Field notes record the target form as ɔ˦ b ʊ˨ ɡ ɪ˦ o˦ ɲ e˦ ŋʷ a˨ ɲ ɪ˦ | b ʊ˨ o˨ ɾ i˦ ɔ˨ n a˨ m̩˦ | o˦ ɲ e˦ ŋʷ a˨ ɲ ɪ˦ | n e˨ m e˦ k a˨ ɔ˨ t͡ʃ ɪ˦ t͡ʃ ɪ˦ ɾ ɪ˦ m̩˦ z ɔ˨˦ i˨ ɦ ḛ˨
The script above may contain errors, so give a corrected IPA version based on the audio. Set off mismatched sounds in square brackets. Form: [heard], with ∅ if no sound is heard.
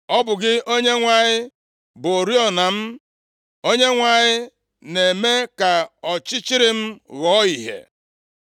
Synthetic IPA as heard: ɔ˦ b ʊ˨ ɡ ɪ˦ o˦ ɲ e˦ ŋʷ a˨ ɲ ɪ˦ | b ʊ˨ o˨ ɾ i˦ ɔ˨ n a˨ m̩˦ | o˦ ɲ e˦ ŋʷ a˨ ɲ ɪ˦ | n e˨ m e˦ k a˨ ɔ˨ t͡ʃ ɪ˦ t͡ʃ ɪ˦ ɾ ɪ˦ m̩˦ [ɣ] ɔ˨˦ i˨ ɦ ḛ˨